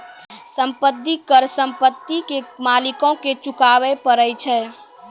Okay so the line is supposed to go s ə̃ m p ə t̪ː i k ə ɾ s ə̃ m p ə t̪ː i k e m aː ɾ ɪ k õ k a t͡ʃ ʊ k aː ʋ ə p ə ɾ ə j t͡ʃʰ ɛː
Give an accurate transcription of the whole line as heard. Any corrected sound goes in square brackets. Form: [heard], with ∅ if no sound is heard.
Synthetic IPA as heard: s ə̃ m p ə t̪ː i k ə ɾ s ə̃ m p ə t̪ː i k e m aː [l] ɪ k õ k [e] t͡ʃ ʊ k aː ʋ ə p ə ɾ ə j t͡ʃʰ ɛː